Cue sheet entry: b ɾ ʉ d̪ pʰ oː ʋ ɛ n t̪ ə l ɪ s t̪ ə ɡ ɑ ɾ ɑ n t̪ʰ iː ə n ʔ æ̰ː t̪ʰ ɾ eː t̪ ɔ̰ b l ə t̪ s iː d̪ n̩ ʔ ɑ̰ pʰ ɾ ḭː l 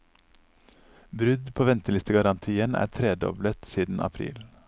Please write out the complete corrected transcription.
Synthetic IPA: b ɾ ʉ d̪ pʰ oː ʋ ɛ n t̪ ə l ɪ s t̪ ə ɡ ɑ ɾ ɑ n t̪ʰ iː ə n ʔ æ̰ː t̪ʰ ɾ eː d̪ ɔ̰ b l ə t̪ s iː d̪ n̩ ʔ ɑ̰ pʰ ɾ ḭː l